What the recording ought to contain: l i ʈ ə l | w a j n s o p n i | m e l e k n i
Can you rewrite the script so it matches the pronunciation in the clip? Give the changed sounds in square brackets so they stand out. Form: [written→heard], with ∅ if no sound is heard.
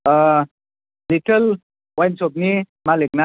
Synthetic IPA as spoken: l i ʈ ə l | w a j n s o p n i | m [e→a] l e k n [i→a]